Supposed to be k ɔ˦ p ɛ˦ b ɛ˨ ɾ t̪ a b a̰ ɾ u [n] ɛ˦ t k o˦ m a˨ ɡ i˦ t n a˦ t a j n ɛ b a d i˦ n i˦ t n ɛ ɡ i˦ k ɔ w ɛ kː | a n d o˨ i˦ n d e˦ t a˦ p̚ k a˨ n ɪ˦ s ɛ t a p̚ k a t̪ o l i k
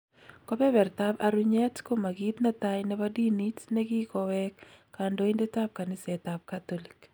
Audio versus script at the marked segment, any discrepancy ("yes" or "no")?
yes